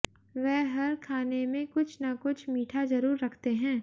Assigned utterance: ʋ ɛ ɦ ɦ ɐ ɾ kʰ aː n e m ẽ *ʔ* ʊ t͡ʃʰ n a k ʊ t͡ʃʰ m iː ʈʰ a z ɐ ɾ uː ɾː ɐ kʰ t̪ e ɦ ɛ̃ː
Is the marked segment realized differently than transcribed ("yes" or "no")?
yes